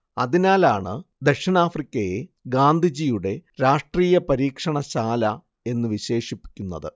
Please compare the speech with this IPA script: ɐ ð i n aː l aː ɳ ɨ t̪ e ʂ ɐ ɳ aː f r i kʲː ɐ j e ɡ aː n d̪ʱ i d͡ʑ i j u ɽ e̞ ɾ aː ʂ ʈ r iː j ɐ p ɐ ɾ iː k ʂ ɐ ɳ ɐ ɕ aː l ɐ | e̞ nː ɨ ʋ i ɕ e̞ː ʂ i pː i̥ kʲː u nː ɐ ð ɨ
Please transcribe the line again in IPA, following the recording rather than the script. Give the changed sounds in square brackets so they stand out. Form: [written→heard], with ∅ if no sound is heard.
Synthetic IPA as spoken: ɐ ð i n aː l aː ɳ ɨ [t̪→d̪] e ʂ ɐ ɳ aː f r i kʲː ɐ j e ɡ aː n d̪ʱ i d͡ʑ i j u ɽ e̞ ɾ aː ʂ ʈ r iː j ɐ p ɐ ɾ iː k ʂ ɐ ɳ ɐ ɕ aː l ɐ | e̞ nː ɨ ʋ i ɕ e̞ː ʂ i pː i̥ kʲː u nː ɐ ð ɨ